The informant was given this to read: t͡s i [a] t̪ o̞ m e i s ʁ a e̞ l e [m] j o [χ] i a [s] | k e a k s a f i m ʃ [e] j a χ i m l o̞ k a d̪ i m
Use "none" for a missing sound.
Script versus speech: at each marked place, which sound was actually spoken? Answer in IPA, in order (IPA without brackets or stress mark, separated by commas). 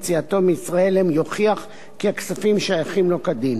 a, m, χ, χ, a